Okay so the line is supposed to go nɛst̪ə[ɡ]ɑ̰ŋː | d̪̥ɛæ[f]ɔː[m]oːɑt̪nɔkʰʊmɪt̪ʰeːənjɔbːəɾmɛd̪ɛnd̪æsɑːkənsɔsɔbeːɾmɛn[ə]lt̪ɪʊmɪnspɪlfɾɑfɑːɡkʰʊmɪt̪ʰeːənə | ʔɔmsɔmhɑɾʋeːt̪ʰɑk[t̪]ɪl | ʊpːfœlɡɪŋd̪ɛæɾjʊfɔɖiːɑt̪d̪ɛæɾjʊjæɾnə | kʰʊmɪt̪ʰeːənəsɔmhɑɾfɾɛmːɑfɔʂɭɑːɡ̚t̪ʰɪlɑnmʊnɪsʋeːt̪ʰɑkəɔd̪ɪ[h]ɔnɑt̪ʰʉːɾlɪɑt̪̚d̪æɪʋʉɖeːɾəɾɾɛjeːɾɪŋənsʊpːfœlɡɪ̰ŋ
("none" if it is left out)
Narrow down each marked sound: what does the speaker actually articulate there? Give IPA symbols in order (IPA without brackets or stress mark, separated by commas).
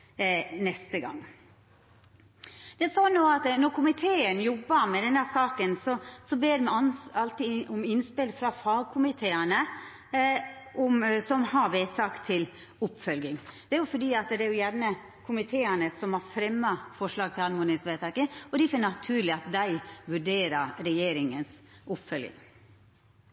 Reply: ɡ, s, n, ɑ, t̪ʰ, f